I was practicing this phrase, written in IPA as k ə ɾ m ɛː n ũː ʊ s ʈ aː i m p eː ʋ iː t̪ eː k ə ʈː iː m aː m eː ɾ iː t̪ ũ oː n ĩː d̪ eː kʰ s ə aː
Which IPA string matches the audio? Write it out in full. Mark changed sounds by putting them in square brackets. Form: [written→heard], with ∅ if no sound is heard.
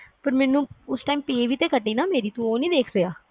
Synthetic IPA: [k→p] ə ɾ m ɛː n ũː ʊ s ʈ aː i m p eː ʋ iː t̪ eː k ə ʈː iː [m→n] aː m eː ɾ iː t̪ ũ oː n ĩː d̪ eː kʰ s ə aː